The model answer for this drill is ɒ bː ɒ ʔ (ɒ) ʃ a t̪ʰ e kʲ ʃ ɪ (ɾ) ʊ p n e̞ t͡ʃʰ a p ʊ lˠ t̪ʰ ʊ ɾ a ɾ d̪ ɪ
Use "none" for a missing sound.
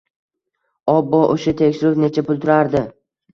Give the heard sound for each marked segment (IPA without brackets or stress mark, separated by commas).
o, ɾ